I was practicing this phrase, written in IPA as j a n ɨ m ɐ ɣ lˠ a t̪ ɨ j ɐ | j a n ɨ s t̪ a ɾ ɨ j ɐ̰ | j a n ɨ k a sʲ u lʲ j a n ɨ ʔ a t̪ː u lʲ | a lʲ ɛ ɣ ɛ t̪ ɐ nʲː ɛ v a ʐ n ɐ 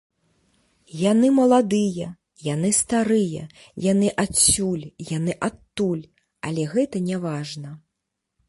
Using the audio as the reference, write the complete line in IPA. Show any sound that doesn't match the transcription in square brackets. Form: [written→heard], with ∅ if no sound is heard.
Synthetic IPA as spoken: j a n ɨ m ɐ [ɣ→∅] lˠ a [t̪→d̪] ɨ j ɐ | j a n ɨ s t̪ a ɾ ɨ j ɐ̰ | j a n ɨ [k→ʔ] a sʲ u lʲ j a n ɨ ʔ a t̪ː u lʲ | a lʲ ɛ ɣ ɛ t̪ ɐ [nʲː→nʲ] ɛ v a ʐ n ɐ